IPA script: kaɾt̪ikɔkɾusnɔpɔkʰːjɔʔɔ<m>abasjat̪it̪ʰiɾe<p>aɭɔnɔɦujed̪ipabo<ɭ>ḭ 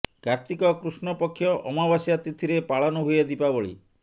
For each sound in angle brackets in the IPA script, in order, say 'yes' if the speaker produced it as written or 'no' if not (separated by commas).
yes, yes, yes